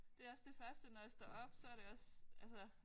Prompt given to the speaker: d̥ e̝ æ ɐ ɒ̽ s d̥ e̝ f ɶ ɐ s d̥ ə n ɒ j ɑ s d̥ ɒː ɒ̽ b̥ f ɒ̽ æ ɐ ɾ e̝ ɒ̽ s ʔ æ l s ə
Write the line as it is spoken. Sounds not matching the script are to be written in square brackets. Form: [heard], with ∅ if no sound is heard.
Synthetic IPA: d̥ e̝ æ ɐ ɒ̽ s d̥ e̝ f ɶ ɐ s d̥ ə n ɒ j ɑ s d̥ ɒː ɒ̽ b̥ [s] ɒ̽ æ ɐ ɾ e̝ ɒ̽ s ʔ æ l s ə